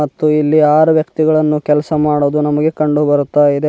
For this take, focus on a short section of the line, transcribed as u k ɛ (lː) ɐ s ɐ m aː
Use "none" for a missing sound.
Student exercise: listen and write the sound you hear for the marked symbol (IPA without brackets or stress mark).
l